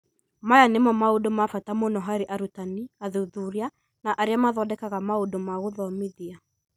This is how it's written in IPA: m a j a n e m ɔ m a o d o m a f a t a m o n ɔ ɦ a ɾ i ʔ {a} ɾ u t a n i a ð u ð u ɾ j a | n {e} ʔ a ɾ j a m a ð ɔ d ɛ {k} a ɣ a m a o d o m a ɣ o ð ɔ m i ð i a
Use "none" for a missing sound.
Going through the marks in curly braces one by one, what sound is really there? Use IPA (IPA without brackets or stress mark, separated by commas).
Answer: a, a, k